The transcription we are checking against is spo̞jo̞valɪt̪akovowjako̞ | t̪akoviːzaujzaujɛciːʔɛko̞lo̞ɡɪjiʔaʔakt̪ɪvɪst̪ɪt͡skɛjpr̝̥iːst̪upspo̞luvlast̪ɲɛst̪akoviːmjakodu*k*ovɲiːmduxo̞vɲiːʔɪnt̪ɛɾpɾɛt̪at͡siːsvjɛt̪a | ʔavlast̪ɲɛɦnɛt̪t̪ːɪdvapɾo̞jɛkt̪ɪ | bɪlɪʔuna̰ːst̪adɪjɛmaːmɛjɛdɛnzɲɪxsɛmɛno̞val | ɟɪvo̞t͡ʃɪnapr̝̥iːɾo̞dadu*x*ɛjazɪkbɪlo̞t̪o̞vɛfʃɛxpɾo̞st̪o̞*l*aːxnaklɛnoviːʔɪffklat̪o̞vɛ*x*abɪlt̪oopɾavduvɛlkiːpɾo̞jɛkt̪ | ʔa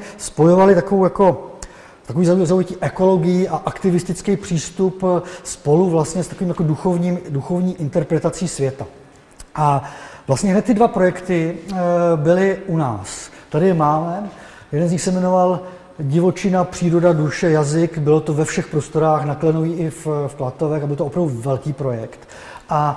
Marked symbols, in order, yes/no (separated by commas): no, no, no, yes